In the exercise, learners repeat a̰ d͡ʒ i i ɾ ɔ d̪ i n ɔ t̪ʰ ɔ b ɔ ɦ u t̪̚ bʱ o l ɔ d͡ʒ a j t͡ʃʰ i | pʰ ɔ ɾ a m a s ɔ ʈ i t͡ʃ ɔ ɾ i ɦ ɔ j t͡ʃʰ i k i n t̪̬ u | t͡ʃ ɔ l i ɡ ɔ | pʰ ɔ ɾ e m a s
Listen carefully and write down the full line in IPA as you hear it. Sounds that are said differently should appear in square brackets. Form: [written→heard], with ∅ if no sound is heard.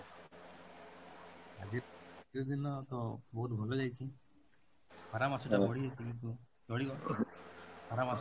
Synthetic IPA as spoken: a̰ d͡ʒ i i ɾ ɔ d̪ i n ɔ [t̪ʰ→t̪] ɔ b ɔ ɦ u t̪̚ bʱ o l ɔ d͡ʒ a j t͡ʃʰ i | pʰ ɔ ɾ a m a s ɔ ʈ [i→a] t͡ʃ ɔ [ɾ→ɽ] i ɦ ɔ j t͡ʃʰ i k i n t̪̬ u | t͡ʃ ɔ [l→ɽ] i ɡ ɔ | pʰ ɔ ɾ [e→a] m a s

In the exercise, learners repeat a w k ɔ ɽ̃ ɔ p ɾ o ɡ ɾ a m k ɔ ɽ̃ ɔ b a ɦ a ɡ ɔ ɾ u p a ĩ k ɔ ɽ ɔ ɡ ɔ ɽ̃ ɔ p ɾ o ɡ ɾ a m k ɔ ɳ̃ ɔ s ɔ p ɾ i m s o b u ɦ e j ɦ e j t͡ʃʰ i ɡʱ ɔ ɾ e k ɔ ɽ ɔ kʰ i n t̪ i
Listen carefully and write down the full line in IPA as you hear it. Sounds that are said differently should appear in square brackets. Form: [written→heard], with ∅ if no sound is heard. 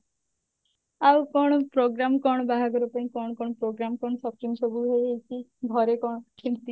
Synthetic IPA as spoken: a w k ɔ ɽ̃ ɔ p ɾ o ɡ ɾ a m k ɔ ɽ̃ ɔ b a ɦ a ɡ ɔ ɾ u p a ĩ k ɔ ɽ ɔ [ɡ→k] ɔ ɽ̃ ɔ p ɾ o ɡ ɾ a m k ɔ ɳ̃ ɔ s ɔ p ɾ i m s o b u ɦ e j ɦ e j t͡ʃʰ i ɡʱ ɔ ɾ e k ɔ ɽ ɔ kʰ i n t̪ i

